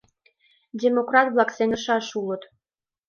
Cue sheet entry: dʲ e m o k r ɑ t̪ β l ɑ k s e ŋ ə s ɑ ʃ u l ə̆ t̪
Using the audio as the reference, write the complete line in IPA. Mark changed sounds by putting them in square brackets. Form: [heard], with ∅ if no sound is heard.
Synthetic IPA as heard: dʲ e m o k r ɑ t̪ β l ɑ k s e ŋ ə [ʃ] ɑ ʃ u l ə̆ t̪